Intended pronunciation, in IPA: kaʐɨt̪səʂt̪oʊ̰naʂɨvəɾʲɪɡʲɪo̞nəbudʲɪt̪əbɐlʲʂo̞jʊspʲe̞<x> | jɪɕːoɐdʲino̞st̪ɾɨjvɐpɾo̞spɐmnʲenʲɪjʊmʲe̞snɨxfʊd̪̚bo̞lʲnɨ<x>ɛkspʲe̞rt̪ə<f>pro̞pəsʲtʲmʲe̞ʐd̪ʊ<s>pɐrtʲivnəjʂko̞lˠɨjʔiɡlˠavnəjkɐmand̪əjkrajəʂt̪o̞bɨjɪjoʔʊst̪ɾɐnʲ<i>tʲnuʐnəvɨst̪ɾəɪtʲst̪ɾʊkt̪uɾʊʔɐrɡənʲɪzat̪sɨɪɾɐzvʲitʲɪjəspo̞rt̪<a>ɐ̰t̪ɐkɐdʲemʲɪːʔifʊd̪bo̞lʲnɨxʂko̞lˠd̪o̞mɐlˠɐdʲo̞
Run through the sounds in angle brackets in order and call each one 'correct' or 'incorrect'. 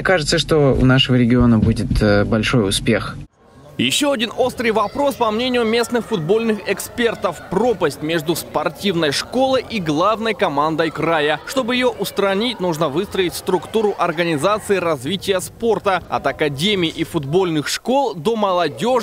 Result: correct, correct, correct, correct, correct, incorrect

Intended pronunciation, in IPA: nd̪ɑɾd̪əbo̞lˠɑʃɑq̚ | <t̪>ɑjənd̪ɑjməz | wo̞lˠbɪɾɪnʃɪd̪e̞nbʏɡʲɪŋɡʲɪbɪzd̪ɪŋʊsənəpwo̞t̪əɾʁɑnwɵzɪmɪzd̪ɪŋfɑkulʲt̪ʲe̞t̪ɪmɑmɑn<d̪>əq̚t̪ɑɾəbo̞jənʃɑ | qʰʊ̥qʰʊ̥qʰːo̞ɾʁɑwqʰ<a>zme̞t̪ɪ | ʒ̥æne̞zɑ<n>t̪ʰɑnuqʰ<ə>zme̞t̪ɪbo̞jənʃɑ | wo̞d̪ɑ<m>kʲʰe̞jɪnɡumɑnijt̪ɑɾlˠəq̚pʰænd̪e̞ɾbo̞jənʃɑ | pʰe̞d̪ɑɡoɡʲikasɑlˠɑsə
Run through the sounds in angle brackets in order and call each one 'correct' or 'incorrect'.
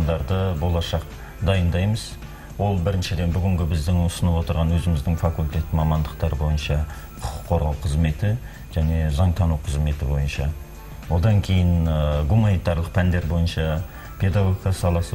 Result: incorrect, correct, incorrect, incorrect, correct, incorrect

